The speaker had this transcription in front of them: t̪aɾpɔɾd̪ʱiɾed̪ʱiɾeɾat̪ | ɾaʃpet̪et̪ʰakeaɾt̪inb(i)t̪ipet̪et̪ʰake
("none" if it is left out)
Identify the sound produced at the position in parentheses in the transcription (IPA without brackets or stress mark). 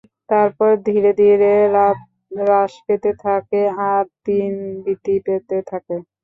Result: i